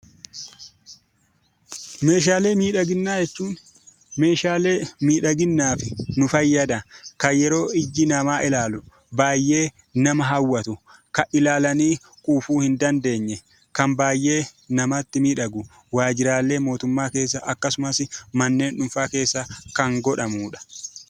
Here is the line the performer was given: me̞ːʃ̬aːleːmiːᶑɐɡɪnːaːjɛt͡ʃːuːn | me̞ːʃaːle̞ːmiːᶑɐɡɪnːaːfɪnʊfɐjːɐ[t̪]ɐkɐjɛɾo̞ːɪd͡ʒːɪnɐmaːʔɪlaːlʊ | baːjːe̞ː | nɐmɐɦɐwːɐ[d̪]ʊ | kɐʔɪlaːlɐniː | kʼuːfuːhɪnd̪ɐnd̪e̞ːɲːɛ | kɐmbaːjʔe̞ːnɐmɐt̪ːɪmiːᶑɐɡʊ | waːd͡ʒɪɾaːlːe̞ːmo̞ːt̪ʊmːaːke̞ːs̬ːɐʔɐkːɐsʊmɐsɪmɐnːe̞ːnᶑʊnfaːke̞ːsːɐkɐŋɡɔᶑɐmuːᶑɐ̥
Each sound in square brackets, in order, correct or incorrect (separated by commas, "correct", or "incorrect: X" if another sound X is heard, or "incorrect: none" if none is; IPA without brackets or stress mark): incorrect: d̪, incorrect: t̪